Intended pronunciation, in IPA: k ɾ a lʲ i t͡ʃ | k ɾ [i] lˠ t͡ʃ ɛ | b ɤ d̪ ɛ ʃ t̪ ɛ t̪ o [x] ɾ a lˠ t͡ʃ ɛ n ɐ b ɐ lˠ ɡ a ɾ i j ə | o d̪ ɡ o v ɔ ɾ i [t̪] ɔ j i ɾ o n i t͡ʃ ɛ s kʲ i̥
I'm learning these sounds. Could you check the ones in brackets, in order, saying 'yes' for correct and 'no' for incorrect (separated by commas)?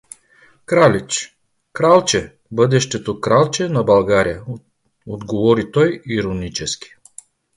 no, no, yes